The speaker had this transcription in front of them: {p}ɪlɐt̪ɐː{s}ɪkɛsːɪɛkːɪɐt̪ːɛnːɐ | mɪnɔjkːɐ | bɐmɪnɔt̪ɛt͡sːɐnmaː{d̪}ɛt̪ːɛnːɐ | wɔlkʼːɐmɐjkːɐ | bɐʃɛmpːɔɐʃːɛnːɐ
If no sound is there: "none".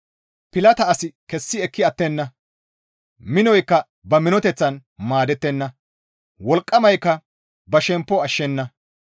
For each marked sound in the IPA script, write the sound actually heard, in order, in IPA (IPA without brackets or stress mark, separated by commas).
p, s, d̪